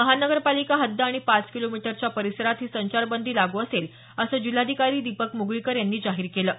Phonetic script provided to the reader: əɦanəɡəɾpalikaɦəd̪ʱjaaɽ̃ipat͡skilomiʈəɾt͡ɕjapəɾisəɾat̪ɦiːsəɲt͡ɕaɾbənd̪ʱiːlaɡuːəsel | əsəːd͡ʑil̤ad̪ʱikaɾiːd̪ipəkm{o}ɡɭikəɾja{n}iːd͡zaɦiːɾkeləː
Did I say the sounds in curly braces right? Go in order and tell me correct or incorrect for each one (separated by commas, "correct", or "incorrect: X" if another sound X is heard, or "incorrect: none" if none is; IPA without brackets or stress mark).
incorrect: u, incorrect: nː